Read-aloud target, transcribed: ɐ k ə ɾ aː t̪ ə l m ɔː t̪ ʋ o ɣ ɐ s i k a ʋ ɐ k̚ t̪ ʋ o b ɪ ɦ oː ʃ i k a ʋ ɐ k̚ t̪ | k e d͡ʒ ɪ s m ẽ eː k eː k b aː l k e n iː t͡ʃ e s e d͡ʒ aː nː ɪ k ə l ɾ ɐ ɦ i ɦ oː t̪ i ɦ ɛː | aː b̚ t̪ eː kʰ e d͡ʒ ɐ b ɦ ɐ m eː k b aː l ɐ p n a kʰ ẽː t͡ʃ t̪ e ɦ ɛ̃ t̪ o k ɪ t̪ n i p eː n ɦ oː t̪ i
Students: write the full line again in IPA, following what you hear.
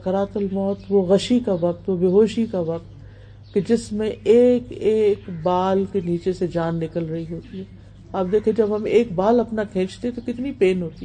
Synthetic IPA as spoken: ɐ k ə ɾ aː t̪ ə l m ɔː t̪ ʋ o ɣ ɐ ʃ i k a ʋ ɐ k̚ t̪ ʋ o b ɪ ɦ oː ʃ i k a ʋ ɐ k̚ t̪ | k e d͡ʒ ɪ s m ẽ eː k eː k b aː l k e n iː t͡ʃ e s e d͡ʒ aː nː ɪ k ə l ɾ ɐ ɦ i ɦ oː t̪ i ɦ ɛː | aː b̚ d̪ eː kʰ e d͡ʒ ɐ b ɦ ɐ m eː k b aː l ɐ p n a kʰ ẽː t͡ʃ t̪ e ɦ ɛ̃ t̪ o k ɪ t̪ n i p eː n ɦ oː t̪ i